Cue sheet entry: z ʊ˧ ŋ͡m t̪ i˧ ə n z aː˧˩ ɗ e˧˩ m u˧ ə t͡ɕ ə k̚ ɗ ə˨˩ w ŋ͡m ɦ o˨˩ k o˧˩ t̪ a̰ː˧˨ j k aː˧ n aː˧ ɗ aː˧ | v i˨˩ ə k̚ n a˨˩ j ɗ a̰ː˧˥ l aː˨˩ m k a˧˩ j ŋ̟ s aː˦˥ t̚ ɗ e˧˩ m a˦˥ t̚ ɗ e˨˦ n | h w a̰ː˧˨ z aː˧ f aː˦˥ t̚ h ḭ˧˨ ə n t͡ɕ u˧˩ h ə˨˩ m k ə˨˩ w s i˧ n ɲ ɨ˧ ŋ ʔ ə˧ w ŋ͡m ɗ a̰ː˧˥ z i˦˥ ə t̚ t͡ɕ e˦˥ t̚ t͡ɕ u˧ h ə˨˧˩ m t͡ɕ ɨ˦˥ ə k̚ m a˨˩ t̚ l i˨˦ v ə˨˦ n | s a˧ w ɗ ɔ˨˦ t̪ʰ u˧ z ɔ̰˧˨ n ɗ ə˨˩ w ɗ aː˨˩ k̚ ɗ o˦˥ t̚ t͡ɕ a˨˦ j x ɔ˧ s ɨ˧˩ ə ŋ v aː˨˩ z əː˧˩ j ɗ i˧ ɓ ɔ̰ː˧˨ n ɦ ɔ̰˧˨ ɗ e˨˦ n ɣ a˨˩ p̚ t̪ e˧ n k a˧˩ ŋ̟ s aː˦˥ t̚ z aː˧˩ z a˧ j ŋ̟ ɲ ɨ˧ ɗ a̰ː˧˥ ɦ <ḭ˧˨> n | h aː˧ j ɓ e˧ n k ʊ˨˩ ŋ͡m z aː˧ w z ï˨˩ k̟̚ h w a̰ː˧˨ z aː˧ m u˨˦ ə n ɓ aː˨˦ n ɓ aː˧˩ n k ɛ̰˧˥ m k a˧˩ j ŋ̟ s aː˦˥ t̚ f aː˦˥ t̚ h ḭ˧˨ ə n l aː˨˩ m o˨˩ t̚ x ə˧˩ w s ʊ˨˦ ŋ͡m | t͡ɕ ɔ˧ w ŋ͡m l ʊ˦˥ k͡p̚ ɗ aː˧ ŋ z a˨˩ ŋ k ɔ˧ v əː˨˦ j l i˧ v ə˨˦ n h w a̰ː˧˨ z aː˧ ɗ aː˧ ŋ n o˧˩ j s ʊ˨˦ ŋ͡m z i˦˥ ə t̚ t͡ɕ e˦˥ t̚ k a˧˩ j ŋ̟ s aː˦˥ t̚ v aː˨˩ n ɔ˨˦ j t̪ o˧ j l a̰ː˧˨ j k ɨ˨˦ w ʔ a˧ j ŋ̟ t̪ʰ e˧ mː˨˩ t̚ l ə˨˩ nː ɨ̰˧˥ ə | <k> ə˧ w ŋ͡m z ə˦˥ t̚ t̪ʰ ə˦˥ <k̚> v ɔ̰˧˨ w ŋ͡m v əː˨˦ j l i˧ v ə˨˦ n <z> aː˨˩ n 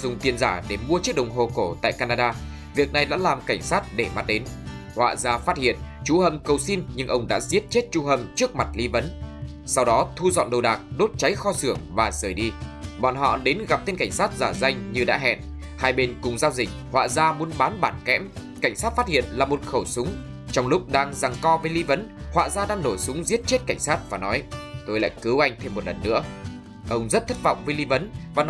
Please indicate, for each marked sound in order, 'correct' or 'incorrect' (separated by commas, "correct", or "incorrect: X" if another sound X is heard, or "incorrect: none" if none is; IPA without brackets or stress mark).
incorrect: ɛ̰˧˨, incorrect: ʔ, incorrect: t̚, incorrect: v